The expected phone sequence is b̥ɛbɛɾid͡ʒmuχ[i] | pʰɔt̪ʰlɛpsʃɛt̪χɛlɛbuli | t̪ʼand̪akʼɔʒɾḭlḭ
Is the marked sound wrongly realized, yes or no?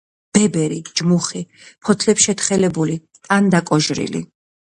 no